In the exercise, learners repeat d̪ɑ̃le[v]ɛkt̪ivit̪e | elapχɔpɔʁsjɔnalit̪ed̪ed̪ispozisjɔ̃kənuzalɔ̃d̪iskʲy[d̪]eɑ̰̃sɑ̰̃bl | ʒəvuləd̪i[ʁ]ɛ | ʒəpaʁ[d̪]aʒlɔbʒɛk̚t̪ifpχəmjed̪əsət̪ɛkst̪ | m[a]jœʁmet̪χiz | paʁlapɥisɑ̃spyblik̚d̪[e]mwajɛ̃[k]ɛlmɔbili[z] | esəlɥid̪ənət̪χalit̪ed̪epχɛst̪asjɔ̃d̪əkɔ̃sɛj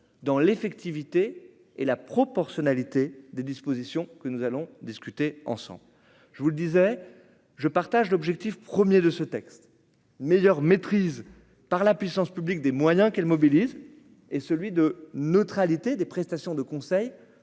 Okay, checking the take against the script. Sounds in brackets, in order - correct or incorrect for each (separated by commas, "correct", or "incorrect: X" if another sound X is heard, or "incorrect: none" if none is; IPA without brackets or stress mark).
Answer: incorrect: f, incorrect: t̪, incorrect: z, incorrect: t̪, incorrect: e, correct, correct, correct